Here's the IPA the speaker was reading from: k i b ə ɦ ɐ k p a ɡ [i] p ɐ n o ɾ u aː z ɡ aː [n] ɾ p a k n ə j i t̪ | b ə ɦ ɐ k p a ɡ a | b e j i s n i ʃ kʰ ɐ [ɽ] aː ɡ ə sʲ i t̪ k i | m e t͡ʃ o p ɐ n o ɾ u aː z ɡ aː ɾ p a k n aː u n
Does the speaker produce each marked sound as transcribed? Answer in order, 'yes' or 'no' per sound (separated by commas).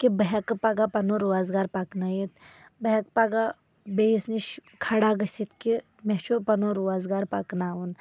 no, no, yes